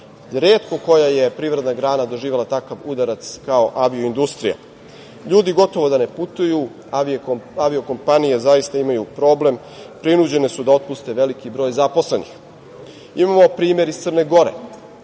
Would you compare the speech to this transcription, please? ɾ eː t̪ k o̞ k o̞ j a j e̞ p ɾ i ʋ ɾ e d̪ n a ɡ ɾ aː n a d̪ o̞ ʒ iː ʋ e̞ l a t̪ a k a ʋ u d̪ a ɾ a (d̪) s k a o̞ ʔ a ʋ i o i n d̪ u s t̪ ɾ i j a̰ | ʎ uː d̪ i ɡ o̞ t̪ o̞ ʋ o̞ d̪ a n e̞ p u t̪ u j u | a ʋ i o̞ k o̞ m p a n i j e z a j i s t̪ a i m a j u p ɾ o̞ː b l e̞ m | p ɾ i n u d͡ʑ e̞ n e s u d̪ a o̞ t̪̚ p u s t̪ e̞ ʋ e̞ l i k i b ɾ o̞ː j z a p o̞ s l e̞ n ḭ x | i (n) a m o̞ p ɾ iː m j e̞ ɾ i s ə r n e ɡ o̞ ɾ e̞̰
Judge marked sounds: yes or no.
no, no

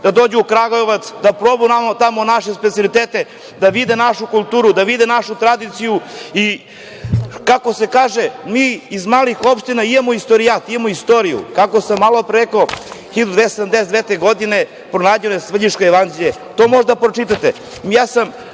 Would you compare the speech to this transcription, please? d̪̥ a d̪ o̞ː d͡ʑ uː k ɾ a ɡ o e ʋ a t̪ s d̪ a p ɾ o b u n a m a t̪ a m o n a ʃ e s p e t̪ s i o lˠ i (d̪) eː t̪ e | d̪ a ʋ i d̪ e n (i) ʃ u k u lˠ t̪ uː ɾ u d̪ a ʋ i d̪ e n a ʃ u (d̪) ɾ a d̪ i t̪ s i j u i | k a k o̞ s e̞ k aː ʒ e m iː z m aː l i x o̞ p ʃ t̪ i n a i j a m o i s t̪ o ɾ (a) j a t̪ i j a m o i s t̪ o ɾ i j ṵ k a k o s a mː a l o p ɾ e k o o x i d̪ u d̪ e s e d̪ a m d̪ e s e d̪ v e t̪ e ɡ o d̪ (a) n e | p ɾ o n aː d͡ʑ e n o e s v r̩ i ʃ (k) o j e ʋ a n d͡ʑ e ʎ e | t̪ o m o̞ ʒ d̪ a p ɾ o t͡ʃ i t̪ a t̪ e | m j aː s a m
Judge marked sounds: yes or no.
no, no, no, no, no, yes

